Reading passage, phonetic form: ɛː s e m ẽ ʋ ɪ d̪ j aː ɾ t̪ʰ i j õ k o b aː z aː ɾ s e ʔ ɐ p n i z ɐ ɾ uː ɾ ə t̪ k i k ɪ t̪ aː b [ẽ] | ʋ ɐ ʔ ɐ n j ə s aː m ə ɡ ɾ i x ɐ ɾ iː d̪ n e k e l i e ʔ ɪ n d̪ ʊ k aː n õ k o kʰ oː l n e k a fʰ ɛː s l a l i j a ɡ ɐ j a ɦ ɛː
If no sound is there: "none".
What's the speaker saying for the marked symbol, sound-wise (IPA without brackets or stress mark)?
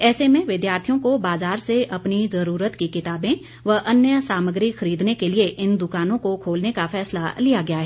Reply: ẽ